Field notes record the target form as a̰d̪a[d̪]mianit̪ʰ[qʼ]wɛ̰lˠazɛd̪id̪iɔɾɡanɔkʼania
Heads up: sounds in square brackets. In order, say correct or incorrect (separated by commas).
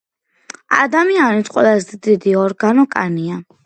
incorrect, correct